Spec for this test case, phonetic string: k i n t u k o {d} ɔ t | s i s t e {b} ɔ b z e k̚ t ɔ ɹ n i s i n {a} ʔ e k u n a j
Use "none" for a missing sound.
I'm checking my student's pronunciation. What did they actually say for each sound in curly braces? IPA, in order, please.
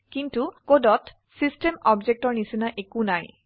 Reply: d, m, a

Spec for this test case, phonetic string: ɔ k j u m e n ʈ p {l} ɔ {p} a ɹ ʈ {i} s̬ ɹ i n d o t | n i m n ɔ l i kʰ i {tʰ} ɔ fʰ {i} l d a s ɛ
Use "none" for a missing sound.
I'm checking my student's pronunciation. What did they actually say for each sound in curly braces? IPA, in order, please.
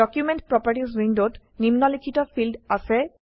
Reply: ɹ, p, i, t, i

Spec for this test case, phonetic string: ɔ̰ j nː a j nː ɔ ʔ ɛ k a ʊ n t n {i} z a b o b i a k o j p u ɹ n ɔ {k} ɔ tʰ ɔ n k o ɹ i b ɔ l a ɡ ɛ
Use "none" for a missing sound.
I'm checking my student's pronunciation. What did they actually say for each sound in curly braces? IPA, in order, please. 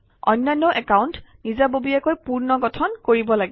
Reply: i, ɡ

